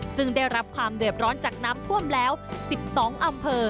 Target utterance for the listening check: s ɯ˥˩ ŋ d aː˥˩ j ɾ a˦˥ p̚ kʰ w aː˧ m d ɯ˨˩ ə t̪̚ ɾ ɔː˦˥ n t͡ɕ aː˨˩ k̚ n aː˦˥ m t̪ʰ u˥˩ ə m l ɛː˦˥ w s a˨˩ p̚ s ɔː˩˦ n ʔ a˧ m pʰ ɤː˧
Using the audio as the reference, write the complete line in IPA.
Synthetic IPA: s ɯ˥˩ ŋ d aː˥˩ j ɾ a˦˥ p̚ kʰ w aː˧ m d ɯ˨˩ ə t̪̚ ɾ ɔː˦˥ n t͡ɕ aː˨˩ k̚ n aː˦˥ m t̪ʰ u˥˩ ə m l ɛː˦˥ w s i˨˩ p̚ s ɔː˩˦ ŋ ʔ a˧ m pʰ ɤː˧